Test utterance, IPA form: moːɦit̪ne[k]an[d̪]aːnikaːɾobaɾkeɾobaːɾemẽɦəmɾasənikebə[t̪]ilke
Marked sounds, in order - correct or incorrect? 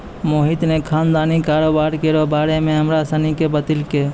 incorrect: kʰ, correct, correct

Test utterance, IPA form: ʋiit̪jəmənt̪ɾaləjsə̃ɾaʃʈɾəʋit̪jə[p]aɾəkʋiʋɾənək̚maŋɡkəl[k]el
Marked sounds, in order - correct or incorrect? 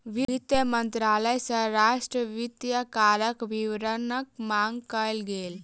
incorrect: k, incorrect: ɡ

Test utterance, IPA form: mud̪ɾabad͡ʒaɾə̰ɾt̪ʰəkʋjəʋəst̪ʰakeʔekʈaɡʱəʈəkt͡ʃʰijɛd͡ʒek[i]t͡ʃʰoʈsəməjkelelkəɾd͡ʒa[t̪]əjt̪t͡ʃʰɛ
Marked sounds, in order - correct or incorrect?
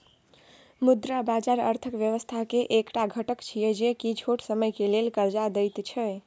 correct, incorrect: d̪

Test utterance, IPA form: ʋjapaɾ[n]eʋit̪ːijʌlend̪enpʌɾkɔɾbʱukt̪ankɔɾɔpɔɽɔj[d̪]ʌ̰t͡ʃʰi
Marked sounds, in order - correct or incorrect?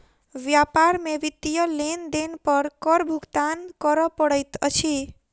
incorrect: m, incorrect: t̪

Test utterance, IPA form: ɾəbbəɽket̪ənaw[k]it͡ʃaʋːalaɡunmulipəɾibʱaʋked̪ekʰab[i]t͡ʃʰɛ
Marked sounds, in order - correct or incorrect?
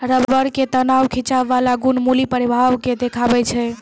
incorrect: kʰ, incorrect: ɛ

